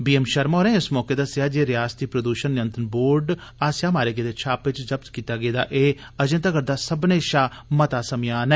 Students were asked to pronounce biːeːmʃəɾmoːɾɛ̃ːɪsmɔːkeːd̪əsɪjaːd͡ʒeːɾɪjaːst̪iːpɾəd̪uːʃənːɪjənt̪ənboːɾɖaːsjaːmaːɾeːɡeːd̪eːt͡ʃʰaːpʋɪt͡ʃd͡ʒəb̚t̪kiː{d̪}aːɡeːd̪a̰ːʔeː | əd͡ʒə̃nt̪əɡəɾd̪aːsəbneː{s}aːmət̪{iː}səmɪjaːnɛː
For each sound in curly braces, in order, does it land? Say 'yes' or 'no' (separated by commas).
no, no, no